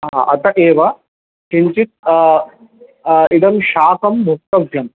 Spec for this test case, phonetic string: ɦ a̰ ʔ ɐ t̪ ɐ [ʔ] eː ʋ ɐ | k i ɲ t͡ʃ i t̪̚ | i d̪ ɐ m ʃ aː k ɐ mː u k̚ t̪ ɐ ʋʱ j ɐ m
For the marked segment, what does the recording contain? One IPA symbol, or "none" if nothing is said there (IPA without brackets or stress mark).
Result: ʔ